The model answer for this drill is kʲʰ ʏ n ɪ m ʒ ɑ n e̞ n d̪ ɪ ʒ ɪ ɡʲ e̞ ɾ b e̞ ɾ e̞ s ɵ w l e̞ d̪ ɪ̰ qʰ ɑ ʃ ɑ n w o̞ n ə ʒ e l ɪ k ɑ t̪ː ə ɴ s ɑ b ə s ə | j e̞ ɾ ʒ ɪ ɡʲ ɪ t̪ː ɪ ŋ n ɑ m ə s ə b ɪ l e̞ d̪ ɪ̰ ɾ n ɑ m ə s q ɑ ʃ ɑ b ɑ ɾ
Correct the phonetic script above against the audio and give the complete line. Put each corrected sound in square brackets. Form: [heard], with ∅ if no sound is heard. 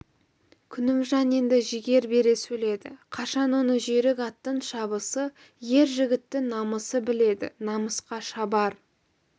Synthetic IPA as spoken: kʲʰ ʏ n ɪ m ʒ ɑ n e̞ n d̪ ɪ ʒ ɪ ɡʲ e̞ ɾ b e̞ ɾ e̞ s ɵ [∅] l e̞ d̪ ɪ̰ qʰ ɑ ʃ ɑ n w o̞ n ə ʒ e [ɾ] ɪ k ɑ t̪ː ə ɴ [ʃ] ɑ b ə s ə | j e̞ ɾ ʒ ɪ ɡʲ ɪ t̪ː ɪ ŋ n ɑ m ə s ə b ɪ l e̞ d̪ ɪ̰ [∅] n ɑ m ə s q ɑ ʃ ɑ b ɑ ɾ

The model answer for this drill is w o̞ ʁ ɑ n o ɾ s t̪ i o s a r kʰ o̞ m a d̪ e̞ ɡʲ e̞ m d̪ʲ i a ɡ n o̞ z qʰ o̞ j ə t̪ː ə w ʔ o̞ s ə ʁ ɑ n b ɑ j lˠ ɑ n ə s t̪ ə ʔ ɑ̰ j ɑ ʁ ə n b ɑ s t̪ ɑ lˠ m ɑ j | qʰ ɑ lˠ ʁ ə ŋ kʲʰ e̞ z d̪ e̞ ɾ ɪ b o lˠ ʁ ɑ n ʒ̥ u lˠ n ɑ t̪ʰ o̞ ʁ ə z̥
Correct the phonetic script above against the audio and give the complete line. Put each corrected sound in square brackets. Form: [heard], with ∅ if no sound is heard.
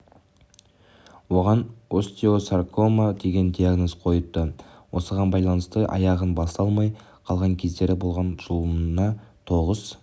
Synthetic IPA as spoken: w o̞ ʁ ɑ n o [∅] s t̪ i o s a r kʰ o̞ m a d̪ e̞ ɡʲ e̞ [n] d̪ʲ i a ɡ n o̞ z qʰ o̞ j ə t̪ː ə w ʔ o̞ s ə ʁ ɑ n b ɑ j lˠ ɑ n ə s t̪ ə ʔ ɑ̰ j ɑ ʁ ə n b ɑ s t̪ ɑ lˠ m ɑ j | qʰ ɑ lˠ ʁ [ɑ] ŋ kʲʰ e̞ z d̪ e̞ ɾ ɪ b o lˠ ʁ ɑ n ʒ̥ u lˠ n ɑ t̪ʰ o̞ ʁ ə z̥

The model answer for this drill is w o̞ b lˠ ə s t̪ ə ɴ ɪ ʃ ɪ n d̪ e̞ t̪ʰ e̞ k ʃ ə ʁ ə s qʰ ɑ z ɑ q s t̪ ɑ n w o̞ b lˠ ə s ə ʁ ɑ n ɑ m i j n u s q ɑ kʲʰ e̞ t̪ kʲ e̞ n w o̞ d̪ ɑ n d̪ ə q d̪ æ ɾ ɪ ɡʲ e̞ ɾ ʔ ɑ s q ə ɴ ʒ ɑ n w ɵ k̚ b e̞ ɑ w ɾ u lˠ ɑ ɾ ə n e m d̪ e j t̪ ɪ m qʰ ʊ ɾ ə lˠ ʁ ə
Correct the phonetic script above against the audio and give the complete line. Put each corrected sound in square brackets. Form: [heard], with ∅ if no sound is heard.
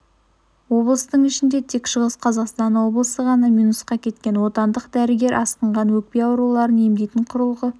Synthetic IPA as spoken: w o̞ b lˠ ə s t̪ ə ɴ ɪ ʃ ɪ n d̪ e̞ t̪ʰ e̞ k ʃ ə ʁ ə s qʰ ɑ z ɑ q s t̪ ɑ n w o̞ b lˠ ə s ə ʁ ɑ n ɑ m i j n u s q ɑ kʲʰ e̞ t̪ kʲ e̞ n w o̞ [t̪] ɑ n d̪ ə q d̪ æ ɾ ɪ ɡʲ e̞ ɾ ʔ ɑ s q ə ɴ [ʁ] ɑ n w ɵ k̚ [p] e̞ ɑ w ɾ u lˠ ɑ ɾ ə n e m d̪ e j t̪ ɪ [ɴ] qʰ ʊ ɾ ə lˠ ʁ ə

